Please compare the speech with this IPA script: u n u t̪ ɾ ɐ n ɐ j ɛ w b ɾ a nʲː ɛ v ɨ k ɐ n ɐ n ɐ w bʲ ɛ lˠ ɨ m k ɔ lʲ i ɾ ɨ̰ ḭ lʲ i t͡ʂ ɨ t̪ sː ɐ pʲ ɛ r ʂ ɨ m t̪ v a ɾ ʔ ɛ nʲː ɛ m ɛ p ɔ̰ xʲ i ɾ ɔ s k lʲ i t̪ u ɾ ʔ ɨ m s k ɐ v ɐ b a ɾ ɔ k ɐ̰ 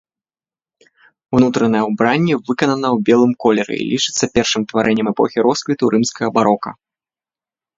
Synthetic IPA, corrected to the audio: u n u t̪ ɾ ɐ n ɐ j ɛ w b ɾ a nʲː ɛ v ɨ k ɐ n ɐ n ɐ w bʲ ɛ lˠ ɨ m k ɔ lʲ ɛ ɾ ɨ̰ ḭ lʲ i t͡ʂ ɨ t̪ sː ɐ pʲ ɛ r ʂ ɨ m t̪ v a ɾ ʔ ɛ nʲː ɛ m ɛ p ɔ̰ xʲ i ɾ ɔ s k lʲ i t̪ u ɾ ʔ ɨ m s k ɐ ɣ ɐ b a ɾ ɔ k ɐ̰